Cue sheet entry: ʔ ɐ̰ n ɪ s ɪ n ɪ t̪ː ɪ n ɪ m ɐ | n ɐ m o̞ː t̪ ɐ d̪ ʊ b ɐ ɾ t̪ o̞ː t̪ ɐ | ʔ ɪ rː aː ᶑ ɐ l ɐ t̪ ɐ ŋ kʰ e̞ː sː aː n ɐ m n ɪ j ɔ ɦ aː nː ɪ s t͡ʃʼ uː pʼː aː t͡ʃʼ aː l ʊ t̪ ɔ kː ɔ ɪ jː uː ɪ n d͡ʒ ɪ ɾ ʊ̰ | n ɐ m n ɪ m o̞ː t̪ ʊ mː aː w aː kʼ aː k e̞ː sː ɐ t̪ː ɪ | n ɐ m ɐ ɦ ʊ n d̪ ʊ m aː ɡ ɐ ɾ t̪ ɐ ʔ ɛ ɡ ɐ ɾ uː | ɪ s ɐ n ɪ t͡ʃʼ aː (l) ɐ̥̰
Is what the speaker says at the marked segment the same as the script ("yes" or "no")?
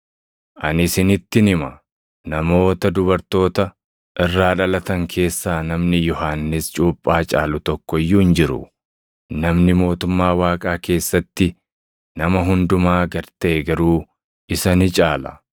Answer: yes